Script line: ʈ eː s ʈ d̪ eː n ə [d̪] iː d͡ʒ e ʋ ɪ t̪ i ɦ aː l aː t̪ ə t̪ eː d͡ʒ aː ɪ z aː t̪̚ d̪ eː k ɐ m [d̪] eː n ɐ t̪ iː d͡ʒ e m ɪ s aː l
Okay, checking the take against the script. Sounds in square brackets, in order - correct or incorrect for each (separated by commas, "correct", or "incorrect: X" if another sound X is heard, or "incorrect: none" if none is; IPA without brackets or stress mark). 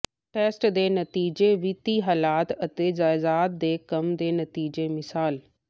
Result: incorrect: t̪, correct